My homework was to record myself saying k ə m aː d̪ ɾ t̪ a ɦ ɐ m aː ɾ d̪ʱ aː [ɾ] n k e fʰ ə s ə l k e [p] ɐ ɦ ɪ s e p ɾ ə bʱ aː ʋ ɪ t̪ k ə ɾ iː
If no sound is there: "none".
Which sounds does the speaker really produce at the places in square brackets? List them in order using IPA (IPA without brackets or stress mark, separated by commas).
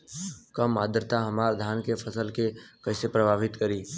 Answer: none, k